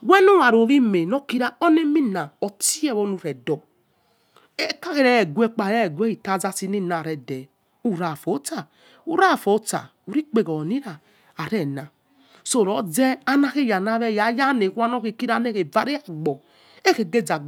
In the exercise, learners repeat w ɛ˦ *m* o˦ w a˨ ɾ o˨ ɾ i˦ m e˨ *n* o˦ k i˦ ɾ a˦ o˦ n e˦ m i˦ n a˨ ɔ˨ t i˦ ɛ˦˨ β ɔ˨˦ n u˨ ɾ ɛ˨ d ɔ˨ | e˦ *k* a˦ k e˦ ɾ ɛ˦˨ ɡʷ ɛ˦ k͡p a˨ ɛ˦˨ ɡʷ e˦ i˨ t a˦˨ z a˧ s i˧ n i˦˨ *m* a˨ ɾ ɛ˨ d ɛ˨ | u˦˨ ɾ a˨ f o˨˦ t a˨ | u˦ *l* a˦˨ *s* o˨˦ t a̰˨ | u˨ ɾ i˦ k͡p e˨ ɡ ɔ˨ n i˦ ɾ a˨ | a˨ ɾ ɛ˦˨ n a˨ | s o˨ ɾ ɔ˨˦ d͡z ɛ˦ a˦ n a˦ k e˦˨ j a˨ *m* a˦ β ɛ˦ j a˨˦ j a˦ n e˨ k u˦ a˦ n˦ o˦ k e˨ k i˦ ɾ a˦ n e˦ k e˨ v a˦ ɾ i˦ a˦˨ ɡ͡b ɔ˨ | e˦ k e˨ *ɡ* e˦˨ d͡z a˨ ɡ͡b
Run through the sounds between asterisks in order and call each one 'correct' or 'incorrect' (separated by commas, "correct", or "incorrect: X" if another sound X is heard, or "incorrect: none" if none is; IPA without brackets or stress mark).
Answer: incorrect: n, correct, correct, incorrect: n, incorrect: ɾ, incorrect: f, incorrect: n, correct